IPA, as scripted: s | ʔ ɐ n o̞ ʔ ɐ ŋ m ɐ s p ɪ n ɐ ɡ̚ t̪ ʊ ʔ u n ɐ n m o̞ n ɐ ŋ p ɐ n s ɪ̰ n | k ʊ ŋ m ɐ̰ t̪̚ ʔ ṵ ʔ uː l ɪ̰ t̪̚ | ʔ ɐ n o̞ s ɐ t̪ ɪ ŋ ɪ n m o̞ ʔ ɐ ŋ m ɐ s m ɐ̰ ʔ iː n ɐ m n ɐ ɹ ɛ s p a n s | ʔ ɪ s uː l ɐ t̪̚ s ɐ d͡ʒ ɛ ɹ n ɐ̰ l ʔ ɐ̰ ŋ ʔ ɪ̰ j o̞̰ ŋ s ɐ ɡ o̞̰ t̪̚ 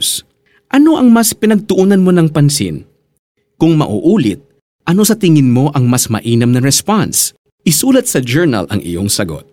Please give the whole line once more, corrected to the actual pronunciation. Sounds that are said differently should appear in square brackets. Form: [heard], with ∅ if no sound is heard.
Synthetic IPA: s | ʔ ɐ n o̞ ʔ ɐ ŋ m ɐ s p ɪ n ɐ ɡ̚ t̪ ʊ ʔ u n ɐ n m o̞ n ɐ ŋ p ɐ n s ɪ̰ n | k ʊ ŋ m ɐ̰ [∅] ʔ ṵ ʔ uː l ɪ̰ t̪̚ | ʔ ɐ n o̞ s ɐ t̪ ɪ ŋ ɪ n m o̞ ʔ ɐ ŋ m ɐ s m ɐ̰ ʔ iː n ɐ m n ɐ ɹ ɛ s p a n s | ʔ ɪ s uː l ɐ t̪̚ s ɐ d͡ʒ ɛ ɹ n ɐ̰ l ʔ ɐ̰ ŋ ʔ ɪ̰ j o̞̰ ŋ s ɐ ɡ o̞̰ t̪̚